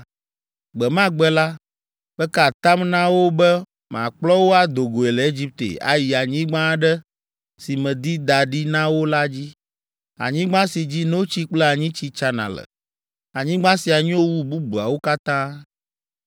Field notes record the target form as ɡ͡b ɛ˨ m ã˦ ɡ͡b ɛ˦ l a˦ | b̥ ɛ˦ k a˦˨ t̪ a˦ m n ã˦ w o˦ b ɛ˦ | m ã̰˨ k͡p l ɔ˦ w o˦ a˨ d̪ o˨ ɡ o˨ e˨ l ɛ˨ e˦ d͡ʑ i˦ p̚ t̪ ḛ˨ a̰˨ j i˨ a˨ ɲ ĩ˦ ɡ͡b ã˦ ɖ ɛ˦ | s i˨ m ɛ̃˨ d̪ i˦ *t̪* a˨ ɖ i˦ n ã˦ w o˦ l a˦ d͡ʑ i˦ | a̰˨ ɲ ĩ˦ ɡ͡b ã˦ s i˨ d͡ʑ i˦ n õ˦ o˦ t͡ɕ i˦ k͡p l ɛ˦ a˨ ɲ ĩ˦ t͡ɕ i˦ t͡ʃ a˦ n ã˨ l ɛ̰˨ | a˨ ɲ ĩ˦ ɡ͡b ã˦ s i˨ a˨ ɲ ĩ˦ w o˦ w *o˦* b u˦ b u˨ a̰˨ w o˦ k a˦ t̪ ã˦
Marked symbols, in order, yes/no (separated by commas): no, no